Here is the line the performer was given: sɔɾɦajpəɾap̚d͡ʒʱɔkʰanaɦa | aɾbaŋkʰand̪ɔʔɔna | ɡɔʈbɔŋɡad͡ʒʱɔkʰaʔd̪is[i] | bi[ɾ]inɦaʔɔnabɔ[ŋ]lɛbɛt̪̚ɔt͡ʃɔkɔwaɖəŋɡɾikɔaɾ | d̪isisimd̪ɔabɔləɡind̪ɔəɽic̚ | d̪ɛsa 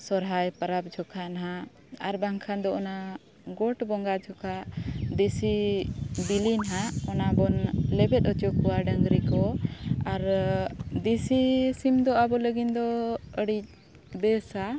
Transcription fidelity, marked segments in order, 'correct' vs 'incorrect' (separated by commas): correct, incorrect, incorrect